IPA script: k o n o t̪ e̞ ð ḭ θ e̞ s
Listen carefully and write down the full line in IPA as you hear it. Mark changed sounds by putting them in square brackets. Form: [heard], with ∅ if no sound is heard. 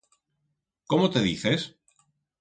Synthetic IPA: k o [m] o t̪ e̞ ð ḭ θ e̞ s

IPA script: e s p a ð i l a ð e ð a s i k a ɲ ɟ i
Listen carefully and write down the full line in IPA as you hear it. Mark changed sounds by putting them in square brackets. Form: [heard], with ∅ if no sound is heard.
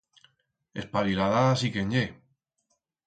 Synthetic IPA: e s p a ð i l a ð [a] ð a s i k [e] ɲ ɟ [e]

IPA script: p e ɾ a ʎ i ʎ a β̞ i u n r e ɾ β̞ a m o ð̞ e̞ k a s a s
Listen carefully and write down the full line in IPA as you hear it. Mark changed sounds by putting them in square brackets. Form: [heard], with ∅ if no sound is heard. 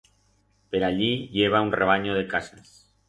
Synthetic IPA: p e ɾ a ʎ i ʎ [e] β̞ [a] u n r e [∅] β̞ a [ɲ] o ð̞ e̞ k a s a s

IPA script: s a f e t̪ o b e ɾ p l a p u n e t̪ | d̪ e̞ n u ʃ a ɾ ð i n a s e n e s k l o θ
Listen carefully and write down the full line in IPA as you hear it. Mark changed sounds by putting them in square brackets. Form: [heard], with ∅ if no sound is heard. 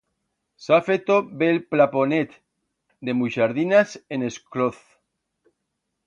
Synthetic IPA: s a f e t̪ o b e [l] p l a p [o] n e t̪ | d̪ e̞ [m] u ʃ a ɾ ð i n a s e n e s k l o θ

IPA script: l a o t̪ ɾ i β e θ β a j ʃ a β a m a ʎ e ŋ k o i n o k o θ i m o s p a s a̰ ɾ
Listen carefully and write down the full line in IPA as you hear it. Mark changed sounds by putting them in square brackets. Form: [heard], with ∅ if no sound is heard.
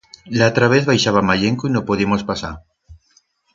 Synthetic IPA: l a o t̪ ɾ [a] β e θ β a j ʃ a β a m a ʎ e ŋ k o i n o [p] o [ð] i m o s p a s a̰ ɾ

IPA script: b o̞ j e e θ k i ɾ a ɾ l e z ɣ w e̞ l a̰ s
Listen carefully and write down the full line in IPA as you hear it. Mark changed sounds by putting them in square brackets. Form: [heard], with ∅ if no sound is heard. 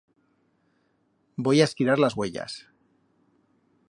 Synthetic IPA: b o̞ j [a] e [s] k i ɾ a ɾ l [a] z ɣ w e̞ [ʎ] a̰ s

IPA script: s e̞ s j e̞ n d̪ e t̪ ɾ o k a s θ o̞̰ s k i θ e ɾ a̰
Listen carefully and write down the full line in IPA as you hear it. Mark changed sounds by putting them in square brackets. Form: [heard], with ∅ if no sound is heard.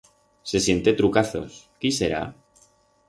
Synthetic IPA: s e̞ s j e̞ n [t̪] e t̪ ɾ [u] k a [∅] θ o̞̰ s k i [s] e ɾ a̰

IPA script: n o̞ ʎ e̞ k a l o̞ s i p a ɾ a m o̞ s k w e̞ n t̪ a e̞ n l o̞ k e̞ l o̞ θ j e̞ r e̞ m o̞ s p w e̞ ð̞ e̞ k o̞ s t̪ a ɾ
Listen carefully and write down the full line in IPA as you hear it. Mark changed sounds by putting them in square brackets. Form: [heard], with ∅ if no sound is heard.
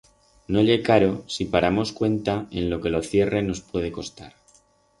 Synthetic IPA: n o̞ ʎ e̞ k a [ɾ] o̞ s i p a ɾ a m o̞ s k w e̞ n t̪ a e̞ n l o̞ k e̞ l o̞ θ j e̞ r e̞ [n] o̞ s p w e̞ ð̞ e̞ k o̞ s t̪ a ɾ

